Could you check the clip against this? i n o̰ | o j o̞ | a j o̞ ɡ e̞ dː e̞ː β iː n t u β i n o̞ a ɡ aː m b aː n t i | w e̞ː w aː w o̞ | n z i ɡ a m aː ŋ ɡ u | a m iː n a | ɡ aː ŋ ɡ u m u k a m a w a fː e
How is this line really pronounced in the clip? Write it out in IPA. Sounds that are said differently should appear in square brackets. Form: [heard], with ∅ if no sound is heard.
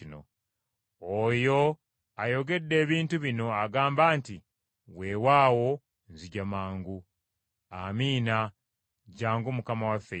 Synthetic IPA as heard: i n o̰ | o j o̞ | a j o̞ ɡ e̞ dː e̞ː β iː n t u β i n o̞ a ɡ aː m b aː n t i | w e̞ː w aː w o̞ | n z i [ɟ] a m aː ŋ ɡ u | a m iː n a | [ɟ] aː ŋ ɡ u m u k a m a w a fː e